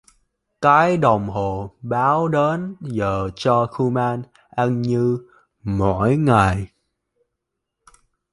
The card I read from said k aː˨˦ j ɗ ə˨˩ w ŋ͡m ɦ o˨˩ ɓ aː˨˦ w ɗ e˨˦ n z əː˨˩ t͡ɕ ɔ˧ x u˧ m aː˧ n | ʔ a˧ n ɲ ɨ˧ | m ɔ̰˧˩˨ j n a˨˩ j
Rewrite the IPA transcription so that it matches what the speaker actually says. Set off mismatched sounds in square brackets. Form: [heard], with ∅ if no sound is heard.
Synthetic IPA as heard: k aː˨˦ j ɗ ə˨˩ w ŋ͡m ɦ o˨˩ ɓ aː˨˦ w ɗ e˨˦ n z əː˨˩ t͡ɕ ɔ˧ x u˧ m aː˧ n | ʔ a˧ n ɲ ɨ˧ | m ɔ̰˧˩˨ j [ŋ] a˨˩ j